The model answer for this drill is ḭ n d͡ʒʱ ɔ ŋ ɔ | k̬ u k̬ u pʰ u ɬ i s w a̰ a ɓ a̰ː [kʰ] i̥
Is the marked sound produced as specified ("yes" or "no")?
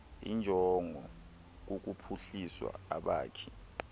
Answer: yes